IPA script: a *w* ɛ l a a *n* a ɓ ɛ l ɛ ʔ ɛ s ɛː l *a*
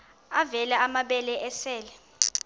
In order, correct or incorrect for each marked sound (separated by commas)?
incorrect, incorrect, incorrect